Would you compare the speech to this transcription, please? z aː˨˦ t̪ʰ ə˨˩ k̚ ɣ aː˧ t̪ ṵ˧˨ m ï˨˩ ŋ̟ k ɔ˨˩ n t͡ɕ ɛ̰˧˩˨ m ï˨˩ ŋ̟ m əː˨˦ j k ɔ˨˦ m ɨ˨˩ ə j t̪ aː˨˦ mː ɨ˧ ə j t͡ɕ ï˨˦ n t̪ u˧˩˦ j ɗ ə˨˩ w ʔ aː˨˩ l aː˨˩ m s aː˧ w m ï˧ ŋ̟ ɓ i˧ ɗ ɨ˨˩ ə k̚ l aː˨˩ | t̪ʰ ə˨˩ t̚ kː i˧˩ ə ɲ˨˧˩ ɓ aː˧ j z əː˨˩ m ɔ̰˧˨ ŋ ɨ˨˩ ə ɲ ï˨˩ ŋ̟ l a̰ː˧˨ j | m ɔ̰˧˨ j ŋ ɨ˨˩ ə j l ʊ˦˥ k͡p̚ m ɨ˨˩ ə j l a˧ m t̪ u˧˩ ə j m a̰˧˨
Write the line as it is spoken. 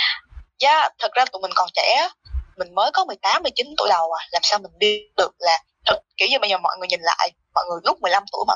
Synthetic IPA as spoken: z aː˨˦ t̪ʰ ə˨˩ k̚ z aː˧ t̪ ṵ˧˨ m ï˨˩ ŋ̟ k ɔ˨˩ n t͡ɕ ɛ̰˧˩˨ m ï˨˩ ŋ̟ m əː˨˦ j k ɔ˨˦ m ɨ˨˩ ə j t̪ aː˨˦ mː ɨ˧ ə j t͡ɕ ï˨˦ n t̪ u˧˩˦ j ɗ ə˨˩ w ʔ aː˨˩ l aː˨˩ m s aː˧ w m ï˨˩ ŋ̟ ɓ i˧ ɗ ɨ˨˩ ə k̚ l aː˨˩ | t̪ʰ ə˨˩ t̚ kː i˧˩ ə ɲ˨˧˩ ɓ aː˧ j z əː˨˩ m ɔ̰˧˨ ŋ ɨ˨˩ ə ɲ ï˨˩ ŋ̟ l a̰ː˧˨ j | m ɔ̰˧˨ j ŋ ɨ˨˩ ə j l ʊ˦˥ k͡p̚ m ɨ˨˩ ə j l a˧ m t̪ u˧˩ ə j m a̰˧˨